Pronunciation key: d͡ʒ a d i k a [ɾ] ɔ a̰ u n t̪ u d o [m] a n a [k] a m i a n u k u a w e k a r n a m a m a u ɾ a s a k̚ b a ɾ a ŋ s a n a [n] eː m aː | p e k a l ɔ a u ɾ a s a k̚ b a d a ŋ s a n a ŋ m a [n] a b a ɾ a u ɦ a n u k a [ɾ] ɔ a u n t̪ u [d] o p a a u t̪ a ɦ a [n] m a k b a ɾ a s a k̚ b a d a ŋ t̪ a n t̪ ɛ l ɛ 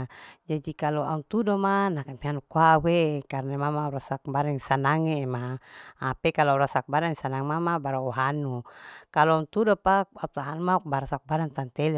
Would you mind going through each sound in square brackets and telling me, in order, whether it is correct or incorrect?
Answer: incorrect, correct, correct, incorrect, incorrect, incorrect, correct, correct

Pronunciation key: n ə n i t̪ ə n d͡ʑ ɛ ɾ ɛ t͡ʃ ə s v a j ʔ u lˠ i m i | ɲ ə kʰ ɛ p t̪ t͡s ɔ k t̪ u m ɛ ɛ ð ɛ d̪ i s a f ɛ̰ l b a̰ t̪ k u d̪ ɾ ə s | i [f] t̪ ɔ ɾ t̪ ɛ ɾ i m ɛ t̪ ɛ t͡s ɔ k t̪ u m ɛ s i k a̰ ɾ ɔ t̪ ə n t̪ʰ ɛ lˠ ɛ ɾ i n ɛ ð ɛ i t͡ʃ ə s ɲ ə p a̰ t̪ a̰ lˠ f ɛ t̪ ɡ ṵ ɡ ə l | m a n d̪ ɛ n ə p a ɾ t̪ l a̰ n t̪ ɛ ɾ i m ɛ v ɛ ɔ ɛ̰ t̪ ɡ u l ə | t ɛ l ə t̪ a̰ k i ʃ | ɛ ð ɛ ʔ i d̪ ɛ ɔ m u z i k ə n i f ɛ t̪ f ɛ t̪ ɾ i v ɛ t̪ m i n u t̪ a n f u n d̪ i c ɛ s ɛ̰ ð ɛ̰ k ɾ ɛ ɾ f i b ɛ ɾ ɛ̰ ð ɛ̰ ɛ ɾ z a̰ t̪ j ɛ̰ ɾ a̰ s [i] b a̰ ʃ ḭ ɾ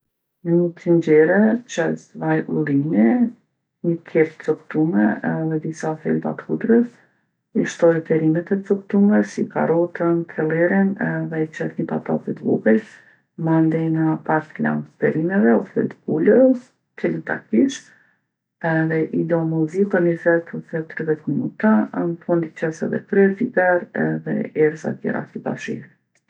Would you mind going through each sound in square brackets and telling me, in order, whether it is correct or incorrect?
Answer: incorrect, correct

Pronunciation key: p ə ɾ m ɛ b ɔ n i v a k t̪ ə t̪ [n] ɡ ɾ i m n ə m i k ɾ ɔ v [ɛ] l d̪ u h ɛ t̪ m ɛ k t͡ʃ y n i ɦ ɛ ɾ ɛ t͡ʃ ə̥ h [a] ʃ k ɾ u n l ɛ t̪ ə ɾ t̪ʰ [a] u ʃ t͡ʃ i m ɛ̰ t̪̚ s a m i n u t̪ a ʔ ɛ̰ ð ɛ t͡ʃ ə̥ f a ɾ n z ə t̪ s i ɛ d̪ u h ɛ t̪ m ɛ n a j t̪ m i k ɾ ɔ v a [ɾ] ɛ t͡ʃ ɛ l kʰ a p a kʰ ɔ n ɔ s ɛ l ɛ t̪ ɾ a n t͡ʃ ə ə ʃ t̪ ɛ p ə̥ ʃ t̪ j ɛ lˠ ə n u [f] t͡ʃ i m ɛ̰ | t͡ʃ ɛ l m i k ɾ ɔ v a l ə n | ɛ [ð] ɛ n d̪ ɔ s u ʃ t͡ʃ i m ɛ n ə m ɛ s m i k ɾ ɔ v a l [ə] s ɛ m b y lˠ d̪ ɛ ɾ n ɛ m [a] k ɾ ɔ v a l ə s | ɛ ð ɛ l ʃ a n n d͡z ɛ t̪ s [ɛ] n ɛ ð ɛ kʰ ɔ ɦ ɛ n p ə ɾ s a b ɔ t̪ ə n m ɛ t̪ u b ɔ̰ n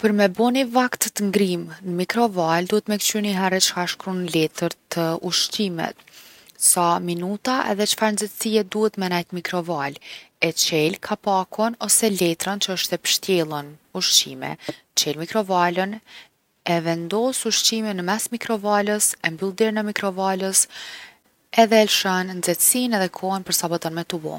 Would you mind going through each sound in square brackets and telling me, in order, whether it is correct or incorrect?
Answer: incorrect, incorrect, correct, incorrect, incorrect, incorrect, incorrect, correct, incorrect, incorrect

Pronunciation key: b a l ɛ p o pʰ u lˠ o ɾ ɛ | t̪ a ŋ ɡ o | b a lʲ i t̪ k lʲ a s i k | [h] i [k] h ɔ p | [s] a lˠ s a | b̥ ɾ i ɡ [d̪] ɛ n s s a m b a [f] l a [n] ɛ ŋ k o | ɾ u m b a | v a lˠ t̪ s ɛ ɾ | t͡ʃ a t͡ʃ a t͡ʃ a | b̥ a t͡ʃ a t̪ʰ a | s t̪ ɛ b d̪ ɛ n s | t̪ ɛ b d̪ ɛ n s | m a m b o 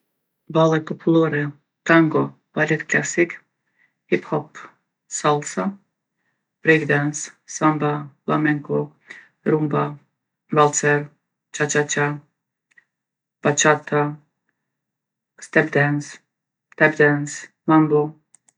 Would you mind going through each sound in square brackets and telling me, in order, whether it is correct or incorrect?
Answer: correct, incorrect, correct, correct, correct, incorrect

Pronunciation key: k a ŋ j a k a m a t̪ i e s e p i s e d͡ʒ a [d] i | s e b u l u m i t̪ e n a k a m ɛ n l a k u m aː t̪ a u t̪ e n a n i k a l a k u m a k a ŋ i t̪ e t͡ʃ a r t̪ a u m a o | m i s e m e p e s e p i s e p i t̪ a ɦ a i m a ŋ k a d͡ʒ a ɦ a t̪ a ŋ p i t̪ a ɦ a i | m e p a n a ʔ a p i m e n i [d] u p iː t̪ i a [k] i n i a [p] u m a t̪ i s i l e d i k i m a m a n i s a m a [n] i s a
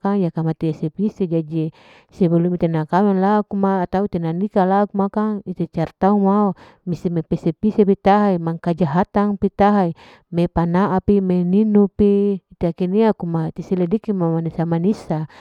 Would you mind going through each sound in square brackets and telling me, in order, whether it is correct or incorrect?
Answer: incorrect, incorrect, correct, incorrect, correct

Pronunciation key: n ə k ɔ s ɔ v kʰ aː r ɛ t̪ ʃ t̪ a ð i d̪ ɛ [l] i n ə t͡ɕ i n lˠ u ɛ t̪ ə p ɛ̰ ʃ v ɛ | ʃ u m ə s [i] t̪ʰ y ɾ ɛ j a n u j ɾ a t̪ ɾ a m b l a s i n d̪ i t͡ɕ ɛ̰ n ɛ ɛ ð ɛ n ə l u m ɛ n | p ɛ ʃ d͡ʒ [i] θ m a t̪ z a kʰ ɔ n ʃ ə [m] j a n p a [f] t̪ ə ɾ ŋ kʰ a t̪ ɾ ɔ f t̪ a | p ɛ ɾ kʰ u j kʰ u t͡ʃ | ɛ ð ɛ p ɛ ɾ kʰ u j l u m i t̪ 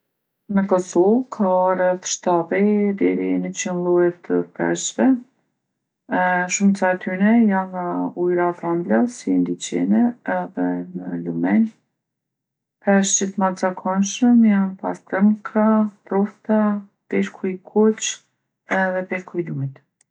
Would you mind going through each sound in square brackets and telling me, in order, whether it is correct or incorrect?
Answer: incorrect, incorrect, correct, correct, incorrect

